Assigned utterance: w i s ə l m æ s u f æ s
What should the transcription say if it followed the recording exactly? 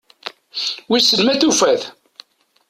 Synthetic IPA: w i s ə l m æ θ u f æ θ